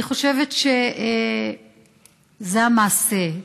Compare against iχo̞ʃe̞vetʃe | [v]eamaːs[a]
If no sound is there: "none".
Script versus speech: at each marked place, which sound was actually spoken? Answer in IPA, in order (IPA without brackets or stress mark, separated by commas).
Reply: z, e